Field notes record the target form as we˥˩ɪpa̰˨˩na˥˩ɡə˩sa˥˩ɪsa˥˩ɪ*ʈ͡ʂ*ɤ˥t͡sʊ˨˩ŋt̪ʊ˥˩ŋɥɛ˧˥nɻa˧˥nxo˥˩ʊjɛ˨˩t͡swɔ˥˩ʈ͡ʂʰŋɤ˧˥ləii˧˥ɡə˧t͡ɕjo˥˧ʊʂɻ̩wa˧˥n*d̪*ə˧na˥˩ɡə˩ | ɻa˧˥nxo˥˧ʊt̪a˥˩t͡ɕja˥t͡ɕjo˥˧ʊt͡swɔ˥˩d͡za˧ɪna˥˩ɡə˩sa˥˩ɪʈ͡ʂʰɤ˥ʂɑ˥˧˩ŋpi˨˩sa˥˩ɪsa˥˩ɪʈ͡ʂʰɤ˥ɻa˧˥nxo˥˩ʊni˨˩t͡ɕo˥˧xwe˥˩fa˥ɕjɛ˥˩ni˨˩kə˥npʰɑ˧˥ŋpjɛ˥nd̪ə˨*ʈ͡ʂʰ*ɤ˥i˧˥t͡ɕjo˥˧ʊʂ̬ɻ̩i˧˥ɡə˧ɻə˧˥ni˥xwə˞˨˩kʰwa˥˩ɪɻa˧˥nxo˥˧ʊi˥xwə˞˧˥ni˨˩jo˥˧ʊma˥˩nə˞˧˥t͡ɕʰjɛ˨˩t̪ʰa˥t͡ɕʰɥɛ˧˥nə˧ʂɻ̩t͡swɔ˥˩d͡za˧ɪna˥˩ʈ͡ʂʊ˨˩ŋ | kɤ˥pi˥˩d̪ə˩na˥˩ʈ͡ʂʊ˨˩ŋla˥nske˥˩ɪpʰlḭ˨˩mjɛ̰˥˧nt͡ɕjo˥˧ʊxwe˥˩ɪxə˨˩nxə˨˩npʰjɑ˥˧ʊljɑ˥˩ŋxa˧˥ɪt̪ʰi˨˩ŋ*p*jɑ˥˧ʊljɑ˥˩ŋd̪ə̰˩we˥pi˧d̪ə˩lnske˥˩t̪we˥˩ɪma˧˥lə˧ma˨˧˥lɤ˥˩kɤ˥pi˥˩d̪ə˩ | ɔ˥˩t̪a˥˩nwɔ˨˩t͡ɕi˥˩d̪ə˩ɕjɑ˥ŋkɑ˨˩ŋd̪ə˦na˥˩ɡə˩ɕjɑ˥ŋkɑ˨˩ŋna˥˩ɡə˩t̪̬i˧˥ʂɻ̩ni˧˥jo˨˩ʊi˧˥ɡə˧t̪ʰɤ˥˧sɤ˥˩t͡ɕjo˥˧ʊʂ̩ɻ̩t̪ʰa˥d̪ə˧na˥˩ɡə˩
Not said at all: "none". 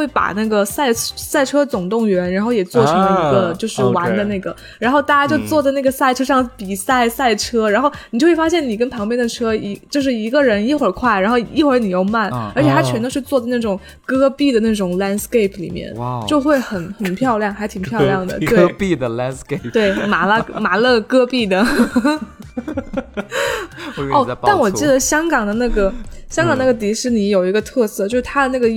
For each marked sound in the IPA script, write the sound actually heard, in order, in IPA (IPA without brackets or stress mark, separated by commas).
ʈ͡ʂʰ, d̪, ʈ͡ʂʰ, pʰ